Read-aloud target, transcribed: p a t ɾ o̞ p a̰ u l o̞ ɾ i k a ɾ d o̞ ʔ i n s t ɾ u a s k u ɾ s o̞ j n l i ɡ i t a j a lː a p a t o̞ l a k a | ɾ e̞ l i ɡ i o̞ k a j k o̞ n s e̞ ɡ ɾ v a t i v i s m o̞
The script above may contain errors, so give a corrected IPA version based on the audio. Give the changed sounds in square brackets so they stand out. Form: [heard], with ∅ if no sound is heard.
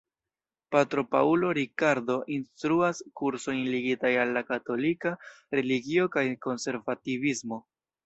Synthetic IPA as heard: p a t ɾ o̞ p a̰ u l o̞ ɾ i k a ɾ d o̞ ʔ i n s t ɾ u a s k u ɾ s o̞ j n l i ɡ i t a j a lː a [k] a t o̞ l [i] k a | ɾ e̞ l i ɡ i o̞ k a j k o̞ n s e̞ [∅] ɾ v a t i v i s m o̞